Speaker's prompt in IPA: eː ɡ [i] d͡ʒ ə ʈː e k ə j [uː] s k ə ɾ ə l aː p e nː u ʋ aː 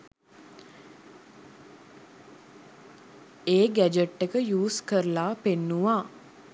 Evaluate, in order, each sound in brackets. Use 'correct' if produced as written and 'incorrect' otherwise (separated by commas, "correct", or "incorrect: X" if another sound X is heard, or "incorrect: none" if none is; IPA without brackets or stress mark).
incorrect: æ, correct